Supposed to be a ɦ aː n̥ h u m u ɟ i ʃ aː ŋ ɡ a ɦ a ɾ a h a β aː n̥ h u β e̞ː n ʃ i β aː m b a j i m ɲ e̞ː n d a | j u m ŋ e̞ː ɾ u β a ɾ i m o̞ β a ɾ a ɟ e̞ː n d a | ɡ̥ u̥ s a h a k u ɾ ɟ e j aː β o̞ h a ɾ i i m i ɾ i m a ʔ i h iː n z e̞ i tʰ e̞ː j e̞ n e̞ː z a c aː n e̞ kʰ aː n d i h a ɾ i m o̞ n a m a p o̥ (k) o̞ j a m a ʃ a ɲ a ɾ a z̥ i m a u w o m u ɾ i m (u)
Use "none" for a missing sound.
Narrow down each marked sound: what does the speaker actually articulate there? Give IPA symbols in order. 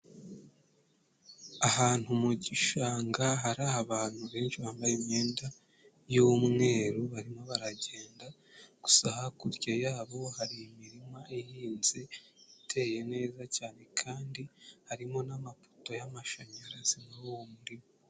t, o

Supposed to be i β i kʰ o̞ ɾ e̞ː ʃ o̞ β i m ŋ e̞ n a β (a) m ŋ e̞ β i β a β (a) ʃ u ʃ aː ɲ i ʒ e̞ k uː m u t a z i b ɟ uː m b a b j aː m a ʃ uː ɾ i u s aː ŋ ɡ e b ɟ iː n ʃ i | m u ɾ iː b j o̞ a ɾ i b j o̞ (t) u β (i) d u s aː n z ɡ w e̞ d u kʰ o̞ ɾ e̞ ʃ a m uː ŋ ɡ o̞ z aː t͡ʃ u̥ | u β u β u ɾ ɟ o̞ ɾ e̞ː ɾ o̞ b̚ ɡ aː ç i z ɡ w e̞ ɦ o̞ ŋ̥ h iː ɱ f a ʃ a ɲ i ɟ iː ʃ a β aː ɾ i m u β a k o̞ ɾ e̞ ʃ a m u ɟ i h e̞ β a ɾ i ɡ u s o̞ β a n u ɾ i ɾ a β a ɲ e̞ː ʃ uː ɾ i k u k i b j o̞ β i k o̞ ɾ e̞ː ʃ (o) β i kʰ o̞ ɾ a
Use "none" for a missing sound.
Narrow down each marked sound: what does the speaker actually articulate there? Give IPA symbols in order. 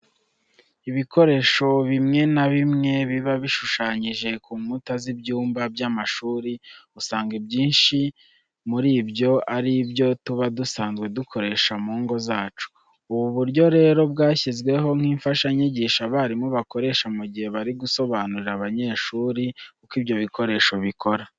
i, i, t, a, o

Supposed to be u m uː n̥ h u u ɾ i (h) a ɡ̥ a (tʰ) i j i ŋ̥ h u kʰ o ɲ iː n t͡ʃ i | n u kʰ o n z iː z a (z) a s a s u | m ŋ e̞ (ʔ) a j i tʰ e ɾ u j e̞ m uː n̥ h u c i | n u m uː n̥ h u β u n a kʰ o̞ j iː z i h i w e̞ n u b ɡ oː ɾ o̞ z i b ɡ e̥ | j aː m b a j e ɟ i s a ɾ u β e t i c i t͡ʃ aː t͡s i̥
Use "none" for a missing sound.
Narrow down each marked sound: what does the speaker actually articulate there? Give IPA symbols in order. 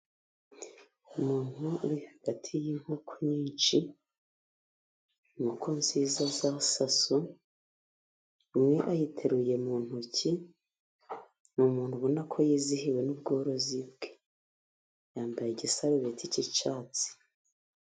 h, tʰ, z, ʔ

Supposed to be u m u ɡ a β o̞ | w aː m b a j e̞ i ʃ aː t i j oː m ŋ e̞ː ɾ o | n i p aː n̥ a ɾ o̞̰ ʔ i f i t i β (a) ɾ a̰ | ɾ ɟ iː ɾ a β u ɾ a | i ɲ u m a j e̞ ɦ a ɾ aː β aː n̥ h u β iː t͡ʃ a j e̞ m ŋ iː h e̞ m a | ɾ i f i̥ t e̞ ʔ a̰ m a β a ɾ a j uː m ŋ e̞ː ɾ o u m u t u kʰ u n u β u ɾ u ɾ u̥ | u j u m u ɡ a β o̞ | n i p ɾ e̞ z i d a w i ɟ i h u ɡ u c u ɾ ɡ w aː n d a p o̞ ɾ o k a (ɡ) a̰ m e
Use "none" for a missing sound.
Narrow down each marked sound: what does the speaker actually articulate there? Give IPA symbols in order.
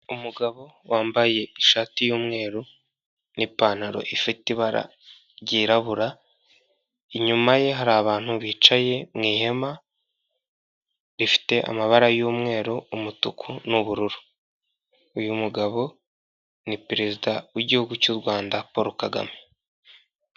a, ɡ

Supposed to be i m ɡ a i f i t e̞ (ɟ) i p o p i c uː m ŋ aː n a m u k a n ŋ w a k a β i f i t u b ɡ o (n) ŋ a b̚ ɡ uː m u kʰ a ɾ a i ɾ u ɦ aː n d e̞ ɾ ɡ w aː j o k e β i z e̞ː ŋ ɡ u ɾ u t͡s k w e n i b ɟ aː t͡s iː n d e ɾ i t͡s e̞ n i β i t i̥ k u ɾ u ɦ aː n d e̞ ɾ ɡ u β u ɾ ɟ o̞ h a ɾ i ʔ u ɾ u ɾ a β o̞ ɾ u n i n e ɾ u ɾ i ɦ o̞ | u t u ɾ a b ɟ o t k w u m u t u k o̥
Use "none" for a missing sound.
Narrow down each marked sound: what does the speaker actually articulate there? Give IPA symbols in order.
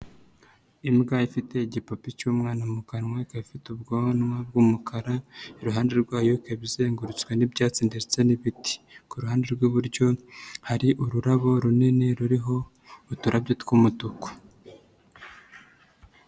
ɟ, n

